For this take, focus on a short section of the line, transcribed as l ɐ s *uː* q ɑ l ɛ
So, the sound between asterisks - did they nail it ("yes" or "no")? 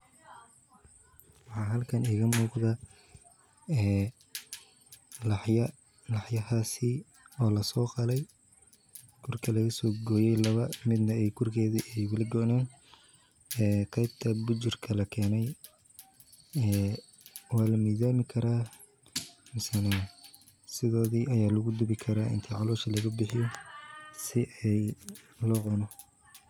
no